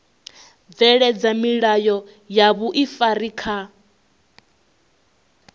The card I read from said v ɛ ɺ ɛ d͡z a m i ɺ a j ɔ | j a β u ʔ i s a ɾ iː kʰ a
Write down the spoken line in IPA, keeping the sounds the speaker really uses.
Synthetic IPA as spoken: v ɛ ɺ ɛ d͡z a m i ɺ a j ɔ | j a β u ʔ i f a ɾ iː kʰ a